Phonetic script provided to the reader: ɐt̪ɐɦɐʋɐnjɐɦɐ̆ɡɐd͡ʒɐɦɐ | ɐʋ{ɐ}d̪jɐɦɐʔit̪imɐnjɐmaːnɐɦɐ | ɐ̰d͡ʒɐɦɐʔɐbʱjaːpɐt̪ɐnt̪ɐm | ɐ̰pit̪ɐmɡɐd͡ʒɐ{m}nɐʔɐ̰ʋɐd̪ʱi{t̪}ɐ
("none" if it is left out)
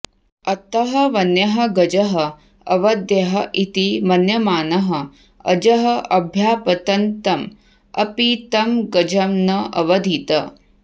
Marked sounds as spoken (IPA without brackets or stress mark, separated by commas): ɐ, m, t̪